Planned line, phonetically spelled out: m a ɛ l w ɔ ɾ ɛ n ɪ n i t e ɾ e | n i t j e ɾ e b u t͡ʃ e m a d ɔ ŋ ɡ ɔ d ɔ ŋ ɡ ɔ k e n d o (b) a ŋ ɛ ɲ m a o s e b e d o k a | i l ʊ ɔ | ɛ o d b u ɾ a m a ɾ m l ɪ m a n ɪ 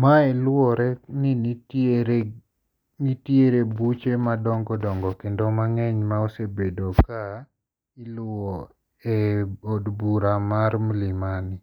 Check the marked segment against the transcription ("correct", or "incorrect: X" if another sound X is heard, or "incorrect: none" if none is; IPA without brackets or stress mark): incorrect: m